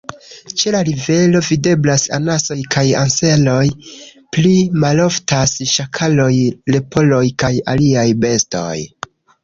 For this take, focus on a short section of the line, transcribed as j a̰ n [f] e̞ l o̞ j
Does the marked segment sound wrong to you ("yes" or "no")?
yes